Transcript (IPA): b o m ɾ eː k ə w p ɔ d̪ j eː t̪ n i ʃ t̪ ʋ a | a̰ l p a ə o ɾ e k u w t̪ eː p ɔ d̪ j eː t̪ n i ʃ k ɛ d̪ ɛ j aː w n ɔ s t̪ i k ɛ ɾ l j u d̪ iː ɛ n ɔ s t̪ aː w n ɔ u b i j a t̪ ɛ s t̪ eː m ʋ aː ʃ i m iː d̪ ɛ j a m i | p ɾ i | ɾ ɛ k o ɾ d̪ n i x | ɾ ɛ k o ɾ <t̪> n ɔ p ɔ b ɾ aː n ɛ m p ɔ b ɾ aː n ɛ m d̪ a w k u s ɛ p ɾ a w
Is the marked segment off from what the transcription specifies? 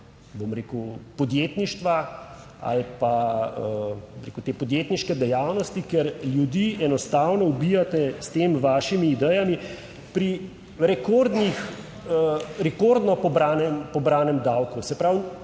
yes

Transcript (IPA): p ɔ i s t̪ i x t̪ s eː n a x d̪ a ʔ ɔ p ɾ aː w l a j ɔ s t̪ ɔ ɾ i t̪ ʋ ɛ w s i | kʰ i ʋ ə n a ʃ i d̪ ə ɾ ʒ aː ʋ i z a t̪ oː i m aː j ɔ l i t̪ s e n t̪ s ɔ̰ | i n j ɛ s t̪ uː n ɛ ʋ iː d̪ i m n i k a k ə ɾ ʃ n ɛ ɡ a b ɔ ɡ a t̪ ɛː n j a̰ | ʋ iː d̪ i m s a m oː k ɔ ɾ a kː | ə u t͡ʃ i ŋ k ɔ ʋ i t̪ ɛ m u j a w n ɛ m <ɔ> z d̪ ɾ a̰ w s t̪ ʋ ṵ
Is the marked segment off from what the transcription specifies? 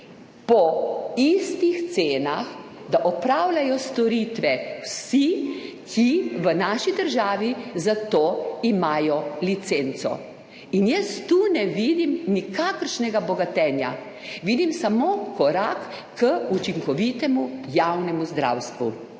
yes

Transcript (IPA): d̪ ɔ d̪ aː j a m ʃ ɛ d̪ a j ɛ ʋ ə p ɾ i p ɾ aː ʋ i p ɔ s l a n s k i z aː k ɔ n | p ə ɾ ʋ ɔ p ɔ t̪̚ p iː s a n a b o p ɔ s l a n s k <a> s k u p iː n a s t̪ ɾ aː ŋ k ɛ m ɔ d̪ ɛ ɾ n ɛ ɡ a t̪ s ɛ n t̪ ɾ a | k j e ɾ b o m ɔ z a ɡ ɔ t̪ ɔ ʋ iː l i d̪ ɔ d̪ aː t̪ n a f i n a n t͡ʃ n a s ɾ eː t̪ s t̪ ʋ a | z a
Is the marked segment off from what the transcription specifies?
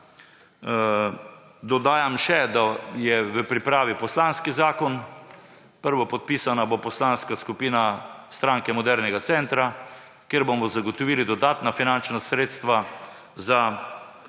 no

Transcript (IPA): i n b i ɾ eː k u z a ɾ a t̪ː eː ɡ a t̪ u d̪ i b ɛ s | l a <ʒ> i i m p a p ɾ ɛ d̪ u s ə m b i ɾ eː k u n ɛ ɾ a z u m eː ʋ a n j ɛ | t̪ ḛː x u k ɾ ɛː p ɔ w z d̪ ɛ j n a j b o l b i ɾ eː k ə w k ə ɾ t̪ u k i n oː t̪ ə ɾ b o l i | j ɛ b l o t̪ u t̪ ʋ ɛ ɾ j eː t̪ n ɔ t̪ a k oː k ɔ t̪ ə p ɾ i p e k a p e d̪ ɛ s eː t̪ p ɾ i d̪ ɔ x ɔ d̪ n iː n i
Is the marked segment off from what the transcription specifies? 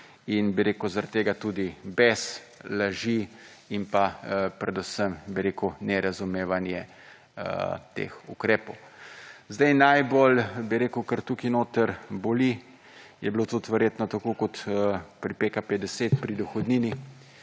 no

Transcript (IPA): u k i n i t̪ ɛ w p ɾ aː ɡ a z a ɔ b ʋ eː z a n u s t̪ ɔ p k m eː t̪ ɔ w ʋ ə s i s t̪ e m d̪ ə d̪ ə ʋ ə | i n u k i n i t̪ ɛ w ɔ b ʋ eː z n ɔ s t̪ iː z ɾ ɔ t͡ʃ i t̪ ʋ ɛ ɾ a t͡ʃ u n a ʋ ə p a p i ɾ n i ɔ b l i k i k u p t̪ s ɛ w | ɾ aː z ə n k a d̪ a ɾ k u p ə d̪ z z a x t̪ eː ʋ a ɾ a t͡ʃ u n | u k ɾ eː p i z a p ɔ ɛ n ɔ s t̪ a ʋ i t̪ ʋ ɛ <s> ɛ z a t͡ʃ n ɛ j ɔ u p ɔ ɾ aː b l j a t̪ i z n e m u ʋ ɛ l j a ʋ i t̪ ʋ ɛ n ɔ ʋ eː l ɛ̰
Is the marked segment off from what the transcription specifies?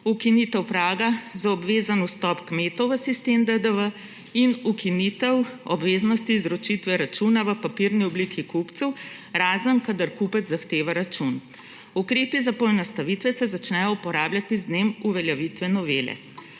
no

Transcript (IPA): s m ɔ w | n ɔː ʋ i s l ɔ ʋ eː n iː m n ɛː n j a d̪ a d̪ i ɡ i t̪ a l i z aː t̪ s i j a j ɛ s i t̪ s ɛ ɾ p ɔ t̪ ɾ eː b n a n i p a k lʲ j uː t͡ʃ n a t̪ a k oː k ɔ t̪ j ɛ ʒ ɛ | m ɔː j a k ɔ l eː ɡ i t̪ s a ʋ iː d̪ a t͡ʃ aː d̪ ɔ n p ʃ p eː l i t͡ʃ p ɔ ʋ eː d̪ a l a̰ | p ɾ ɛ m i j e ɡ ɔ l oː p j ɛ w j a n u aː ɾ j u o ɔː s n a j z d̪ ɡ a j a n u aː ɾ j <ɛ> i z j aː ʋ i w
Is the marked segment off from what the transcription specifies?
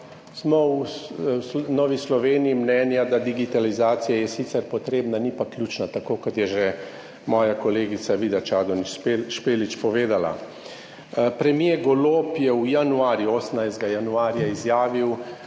yes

